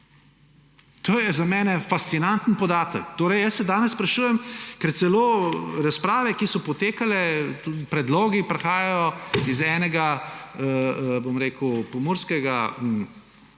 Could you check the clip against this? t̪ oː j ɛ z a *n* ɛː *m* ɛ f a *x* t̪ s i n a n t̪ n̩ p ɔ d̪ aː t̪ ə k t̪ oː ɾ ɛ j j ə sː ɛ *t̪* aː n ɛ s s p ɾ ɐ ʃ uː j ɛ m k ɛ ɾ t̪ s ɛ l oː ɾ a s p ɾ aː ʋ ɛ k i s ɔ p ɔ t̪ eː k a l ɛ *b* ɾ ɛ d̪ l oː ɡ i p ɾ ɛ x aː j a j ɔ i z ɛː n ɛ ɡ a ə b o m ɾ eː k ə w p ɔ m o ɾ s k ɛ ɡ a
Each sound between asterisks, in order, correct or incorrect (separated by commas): incorrect, incorrect, incorrect, incorrect, incorrect